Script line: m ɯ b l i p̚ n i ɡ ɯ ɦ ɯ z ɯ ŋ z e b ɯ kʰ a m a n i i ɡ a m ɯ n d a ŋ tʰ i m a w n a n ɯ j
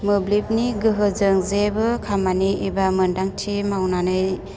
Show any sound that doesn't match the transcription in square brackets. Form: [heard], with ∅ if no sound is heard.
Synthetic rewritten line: m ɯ b l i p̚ n i ɡ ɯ ɦ ɯ z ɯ ŋ z e b ɯ kʰ a m a n i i [b] a m ɯ n d a ŋ tʰ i m a w n a n ɯ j